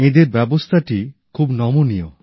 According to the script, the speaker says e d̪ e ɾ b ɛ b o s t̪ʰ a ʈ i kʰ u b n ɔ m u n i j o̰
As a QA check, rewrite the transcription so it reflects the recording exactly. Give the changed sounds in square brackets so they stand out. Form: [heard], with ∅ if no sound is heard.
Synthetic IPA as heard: e d̪ e ɾ b ɛ b o s t̪ʰ a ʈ i kʰ u b n ɔ m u n i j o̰